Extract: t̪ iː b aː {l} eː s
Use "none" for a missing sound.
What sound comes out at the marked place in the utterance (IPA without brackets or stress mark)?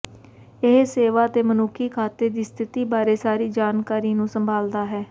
ɾ